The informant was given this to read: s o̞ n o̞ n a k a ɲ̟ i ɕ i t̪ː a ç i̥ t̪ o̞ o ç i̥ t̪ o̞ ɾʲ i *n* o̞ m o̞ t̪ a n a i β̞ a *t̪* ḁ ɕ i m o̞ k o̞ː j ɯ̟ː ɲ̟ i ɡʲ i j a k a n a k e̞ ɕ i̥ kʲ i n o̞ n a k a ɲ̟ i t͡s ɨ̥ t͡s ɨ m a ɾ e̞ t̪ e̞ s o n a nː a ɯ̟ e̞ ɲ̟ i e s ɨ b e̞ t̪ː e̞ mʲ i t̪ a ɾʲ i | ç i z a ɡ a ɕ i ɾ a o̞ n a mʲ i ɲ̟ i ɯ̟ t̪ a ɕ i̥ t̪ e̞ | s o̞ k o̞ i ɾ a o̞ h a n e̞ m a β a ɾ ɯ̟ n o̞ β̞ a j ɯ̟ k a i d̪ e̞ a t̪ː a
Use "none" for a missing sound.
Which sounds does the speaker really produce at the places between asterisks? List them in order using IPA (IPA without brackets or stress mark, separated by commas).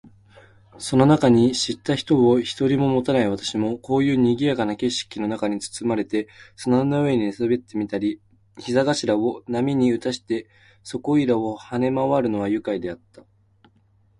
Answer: m, t̪